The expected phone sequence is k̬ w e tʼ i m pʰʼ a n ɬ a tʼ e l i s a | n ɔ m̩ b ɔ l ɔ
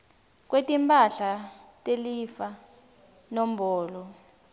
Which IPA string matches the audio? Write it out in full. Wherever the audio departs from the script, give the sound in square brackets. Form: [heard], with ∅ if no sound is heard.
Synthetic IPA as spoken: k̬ w e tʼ i m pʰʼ a [∅] ɬ a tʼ e l i [f] a | n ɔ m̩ b [ɔː] l ɔ